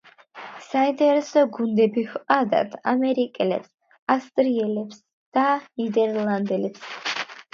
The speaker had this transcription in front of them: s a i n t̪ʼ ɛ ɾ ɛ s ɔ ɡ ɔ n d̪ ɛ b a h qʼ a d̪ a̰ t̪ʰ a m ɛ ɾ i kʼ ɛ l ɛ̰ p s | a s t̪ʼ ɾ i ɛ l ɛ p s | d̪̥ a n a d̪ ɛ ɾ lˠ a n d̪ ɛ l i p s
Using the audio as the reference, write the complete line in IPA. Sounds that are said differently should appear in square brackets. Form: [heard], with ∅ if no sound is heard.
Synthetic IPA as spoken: s a i n t̪ʼ ɛ ɾ ɛ s ɔ ɡ [u] n d̪ ɛ b [i] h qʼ a d̪ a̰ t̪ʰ a m ɛ ɾ i kʼ ɛ l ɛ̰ p s | a s t̪ʼ ɾ i ɛ l ɛ p s | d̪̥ a n [i] d̪ ɛ ɾ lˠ a n d̪ ɛ l [ɛ] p s